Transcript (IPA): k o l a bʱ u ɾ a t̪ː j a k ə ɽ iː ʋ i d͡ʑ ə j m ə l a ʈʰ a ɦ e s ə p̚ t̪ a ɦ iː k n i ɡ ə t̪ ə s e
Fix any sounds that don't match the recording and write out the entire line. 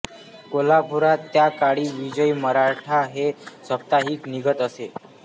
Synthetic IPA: k o l a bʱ u ɾ a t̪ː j a k a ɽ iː ʋ i d͡ʑ ə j m ə ɾ a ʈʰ a ɦ e s ə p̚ t̪ a ɦ iː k n i ɡ ə t̪ ə s e